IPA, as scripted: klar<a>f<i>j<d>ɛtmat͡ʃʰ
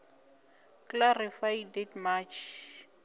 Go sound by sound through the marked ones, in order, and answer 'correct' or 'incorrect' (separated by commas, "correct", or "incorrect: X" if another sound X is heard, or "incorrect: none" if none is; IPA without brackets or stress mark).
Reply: incorrect: i, incorrect: a, correct